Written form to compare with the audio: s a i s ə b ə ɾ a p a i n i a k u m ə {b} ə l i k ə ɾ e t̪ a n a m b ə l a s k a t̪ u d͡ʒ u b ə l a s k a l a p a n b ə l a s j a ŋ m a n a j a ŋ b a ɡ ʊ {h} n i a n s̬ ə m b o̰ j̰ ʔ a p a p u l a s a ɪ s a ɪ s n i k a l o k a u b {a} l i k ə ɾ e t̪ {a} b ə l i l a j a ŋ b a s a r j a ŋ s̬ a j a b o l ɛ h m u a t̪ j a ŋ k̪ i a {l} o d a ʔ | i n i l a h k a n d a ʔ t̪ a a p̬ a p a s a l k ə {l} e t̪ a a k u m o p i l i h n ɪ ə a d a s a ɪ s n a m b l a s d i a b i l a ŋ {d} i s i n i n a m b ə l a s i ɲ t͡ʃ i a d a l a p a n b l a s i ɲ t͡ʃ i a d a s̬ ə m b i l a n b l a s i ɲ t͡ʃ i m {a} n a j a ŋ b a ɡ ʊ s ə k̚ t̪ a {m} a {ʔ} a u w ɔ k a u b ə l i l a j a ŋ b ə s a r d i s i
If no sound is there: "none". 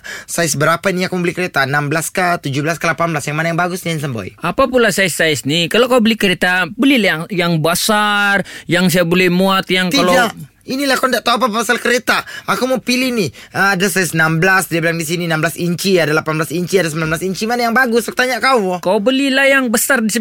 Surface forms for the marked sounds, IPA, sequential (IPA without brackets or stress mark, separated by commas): b, s, ə, a, l, ɾ, d, a, ɲ, k